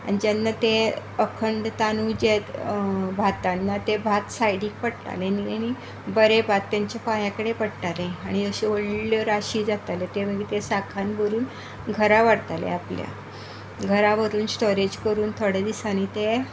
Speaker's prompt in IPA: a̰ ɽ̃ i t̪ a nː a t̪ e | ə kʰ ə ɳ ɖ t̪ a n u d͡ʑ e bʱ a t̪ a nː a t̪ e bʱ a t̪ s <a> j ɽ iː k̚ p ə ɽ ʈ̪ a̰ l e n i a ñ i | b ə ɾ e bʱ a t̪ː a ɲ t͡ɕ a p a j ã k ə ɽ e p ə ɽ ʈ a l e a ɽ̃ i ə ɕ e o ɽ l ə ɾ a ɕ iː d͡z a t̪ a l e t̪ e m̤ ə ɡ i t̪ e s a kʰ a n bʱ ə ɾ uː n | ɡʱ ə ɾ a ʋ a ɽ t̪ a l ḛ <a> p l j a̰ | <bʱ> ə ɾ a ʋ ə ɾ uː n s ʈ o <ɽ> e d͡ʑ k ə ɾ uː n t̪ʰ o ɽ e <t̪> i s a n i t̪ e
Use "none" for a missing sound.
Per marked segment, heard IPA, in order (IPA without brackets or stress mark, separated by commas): a, a, ɡʱ, ɾ, d̪